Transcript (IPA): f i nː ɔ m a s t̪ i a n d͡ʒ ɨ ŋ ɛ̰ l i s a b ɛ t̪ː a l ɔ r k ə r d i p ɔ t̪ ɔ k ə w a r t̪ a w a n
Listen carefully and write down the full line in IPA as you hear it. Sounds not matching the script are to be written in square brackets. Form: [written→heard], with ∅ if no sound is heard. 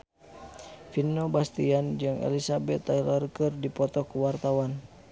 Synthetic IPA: f i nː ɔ [m→b] a s t̪ i a n d͡ʒ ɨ ŋ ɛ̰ l i s a b ɛ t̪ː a l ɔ r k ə r d i p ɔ t̪ ɔ k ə w a r t̪ a w a n